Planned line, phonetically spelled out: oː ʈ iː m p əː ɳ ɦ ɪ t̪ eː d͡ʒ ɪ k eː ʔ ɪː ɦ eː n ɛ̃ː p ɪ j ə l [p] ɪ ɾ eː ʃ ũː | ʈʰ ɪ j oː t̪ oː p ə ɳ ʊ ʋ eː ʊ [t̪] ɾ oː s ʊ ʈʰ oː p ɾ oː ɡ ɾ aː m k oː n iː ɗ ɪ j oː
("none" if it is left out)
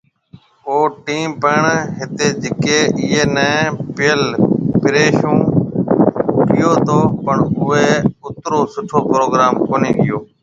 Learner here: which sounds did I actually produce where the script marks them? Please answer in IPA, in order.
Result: p, t̪

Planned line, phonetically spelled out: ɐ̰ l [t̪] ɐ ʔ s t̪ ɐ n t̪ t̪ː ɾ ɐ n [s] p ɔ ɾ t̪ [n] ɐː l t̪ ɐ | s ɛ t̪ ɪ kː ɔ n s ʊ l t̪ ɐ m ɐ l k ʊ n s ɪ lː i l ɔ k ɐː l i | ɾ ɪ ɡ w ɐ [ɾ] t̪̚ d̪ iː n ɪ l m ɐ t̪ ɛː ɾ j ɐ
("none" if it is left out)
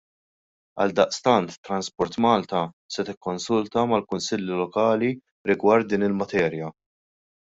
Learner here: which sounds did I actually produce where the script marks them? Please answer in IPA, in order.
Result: d̪, s, m, ɾ

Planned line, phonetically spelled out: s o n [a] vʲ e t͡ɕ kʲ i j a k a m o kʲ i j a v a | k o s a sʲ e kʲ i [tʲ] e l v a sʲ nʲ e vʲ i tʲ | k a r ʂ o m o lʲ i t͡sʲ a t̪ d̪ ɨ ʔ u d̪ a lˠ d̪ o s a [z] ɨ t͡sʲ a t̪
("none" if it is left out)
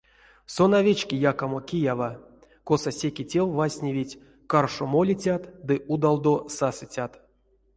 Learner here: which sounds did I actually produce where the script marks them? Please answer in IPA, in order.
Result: a, tʲ, s

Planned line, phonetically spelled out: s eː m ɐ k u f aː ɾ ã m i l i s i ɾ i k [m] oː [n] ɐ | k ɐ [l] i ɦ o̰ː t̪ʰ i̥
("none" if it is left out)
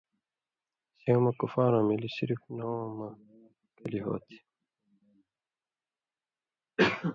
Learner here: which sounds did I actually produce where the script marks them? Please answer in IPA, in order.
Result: n, m, l

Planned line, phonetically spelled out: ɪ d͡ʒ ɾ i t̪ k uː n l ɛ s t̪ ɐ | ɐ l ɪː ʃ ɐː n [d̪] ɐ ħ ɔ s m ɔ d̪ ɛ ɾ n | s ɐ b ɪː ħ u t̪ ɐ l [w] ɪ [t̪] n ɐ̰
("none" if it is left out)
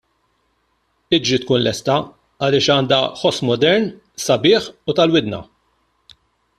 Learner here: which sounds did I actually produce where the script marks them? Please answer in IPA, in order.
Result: d̪, w, d̪

